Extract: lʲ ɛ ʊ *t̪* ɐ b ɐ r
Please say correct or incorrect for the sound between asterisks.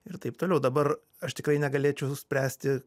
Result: incorrect